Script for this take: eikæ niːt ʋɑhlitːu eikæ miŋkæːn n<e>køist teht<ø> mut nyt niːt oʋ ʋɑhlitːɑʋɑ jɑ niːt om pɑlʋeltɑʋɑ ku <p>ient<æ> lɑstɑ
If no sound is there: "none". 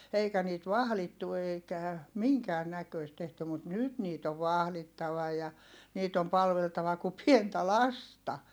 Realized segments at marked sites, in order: æ, y, p, æ

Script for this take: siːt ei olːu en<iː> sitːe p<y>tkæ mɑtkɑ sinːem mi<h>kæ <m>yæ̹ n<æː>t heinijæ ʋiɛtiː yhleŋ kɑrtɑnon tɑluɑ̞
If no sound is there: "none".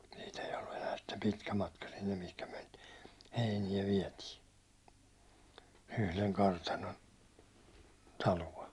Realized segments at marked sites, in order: æː, i, h, m, iː

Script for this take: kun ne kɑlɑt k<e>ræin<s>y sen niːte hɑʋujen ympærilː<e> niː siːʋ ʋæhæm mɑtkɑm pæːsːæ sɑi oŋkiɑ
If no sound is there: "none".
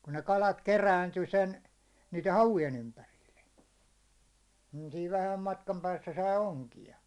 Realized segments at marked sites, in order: e, t, e

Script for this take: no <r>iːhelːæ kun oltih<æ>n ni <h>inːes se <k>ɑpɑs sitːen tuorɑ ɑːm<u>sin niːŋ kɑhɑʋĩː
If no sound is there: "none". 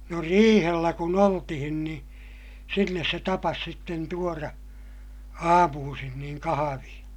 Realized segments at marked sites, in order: r, i, s, t, uː

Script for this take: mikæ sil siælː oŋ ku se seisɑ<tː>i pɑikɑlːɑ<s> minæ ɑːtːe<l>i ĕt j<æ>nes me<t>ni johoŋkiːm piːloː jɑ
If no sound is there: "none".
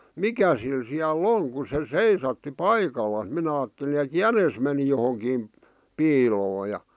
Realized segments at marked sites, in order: tː, s, l, æ, none

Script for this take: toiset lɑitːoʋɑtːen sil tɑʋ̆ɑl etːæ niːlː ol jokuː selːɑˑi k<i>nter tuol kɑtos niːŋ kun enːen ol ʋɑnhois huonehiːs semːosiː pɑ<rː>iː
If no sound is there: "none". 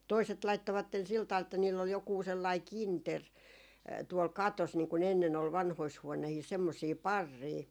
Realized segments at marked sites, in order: i, rː

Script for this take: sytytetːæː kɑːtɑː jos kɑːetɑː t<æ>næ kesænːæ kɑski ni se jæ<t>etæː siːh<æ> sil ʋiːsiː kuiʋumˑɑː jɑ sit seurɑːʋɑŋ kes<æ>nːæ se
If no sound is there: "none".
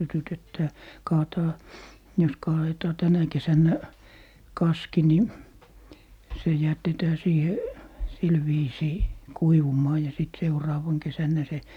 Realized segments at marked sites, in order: æ, t, e, æ

